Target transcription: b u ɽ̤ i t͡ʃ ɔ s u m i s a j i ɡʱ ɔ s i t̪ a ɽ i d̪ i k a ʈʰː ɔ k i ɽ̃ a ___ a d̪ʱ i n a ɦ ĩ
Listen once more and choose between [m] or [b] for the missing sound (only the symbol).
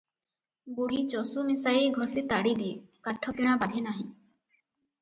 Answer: b